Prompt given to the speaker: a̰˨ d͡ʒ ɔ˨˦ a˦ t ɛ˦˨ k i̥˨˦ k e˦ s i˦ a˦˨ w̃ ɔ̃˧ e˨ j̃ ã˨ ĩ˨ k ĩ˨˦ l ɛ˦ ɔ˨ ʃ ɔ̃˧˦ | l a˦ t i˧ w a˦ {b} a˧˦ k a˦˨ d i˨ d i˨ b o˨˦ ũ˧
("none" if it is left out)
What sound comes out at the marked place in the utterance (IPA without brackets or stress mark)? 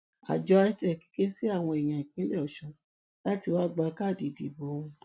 ɡ͡b